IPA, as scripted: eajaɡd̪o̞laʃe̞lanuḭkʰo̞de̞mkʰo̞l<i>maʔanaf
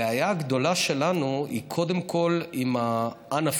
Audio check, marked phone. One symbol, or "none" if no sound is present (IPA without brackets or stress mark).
i